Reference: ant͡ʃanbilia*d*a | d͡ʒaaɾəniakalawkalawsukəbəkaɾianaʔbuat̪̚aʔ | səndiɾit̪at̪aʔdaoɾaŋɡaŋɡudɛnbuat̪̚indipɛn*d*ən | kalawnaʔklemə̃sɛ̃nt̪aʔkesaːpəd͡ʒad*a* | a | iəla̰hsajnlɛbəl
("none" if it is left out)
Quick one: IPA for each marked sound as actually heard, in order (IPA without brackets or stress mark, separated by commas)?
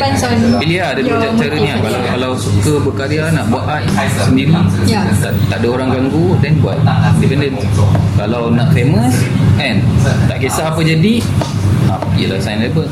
d, d, i